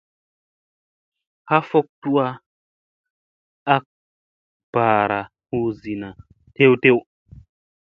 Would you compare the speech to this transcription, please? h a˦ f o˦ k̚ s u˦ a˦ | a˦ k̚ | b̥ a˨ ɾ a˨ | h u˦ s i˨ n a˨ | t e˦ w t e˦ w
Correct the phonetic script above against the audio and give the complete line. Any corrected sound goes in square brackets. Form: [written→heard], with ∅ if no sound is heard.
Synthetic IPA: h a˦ f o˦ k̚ [s→t] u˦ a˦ | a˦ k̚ | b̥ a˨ ɾ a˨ | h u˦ [s→z] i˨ n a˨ | t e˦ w t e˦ w